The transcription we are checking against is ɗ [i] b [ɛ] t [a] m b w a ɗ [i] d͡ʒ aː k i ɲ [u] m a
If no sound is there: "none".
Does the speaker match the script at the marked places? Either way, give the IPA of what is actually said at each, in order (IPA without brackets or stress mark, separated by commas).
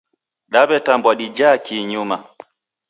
a, ɛ, a, i, u